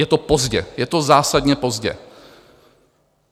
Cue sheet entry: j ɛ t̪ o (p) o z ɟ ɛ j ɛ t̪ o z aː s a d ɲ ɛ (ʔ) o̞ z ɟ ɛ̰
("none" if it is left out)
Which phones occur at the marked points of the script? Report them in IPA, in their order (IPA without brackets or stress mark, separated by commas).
p, p